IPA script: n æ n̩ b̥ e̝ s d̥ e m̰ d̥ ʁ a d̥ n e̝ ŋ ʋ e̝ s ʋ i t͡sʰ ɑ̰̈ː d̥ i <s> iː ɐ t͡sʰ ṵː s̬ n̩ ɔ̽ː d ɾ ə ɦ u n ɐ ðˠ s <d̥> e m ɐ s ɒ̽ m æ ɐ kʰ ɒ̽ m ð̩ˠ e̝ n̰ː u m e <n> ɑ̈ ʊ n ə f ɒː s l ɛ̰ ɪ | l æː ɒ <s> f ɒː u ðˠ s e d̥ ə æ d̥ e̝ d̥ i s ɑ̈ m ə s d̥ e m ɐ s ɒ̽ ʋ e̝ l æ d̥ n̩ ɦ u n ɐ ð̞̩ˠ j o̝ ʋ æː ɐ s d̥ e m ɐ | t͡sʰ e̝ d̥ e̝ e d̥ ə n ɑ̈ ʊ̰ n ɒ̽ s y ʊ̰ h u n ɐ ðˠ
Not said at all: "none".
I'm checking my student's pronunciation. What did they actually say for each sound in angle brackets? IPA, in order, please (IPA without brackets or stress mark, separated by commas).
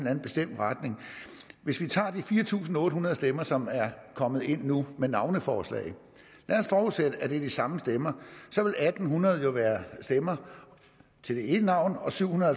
f, d̥, n, s